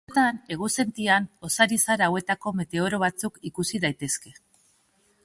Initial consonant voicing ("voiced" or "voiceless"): voiceless